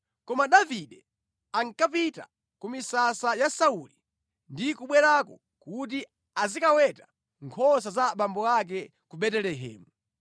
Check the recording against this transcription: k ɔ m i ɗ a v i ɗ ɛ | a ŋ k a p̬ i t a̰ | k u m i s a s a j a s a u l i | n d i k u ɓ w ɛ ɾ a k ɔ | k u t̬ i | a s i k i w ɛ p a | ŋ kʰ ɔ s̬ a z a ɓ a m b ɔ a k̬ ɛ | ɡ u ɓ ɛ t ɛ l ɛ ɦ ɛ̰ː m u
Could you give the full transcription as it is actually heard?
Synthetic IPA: k ɔ m a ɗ a v i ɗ ɛ | a ŋ k a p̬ i t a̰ | k u m i s a s a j a s a u l i | n d i k u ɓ w ɛ ɾ a k ɔ | k u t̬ i | a z i k a w ɛ t a | ŋ kʰ ɔ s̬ a z a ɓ a m b ɔ a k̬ ɛ | k u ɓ ɛ t ɛ l ɛ ɦ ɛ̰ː m u